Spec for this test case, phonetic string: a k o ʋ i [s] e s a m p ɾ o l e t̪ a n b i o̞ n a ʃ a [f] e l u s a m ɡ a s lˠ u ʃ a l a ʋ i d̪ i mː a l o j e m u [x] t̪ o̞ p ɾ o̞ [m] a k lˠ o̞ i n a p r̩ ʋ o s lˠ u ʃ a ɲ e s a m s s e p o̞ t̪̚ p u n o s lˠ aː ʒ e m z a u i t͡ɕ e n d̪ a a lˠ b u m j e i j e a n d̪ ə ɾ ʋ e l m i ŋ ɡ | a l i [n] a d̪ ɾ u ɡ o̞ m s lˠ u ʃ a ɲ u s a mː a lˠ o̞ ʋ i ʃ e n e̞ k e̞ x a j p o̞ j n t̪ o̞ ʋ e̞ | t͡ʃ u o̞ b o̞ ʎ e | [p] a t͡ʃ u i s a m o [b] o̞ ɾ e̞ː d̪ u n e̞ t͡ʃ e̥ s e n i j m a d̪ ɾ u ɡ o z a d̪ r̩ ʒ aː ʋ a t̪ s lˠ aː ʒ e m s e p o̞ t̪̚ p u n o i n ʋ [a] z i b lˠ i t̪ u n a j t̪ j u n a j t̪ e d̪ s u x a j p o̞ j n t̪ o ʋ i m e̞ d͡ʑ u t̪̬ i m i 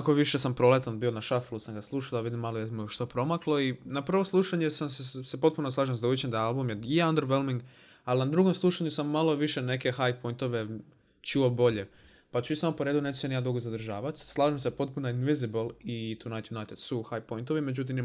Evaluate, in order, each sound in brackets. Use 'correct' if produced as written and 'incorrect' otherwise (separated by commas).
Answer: incorrect, correct, incorrect, correct, correct, correct, incorrect, incorrect